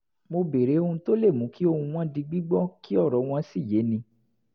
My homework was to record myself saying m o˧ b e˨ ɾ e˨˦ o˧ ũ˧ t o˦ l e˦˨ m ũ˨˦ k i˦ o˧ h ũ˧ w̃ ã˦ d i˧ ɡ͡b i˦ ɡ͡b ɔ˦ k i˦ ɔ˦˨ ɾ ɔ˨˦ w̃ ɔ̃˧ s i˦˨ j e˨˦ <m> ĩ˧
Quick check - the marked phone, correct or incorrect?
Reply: incorrect